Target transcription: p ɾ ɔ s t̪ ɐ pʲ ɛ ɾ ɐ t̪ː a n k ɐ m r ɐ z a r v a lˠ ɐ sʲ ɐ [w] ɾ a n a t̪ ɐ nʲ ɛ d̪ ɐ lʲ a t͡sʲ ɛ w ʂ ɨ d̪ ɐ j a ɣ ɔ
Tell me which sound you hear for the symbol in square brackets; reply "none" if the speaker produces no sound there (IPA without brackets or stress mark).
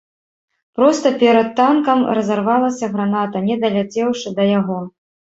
ɣ